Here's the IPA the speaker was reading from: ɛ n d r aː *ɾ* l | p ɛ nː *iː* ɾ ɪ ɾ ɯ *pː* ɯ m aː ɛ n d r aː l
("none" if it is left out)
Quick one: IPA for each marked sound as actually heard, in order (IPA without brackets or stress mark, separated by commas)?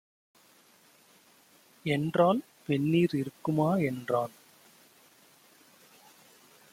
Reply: none, iː, kː